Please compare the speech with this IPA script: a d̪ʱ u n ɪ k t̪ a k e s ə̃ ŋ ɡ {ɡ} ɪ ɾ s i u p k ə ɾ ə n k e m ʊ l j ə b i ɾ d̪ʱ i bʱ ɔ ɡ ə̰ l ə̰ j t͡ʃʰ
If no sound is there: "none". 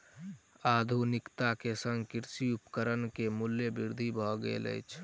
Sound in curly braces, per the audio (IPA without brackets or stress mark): k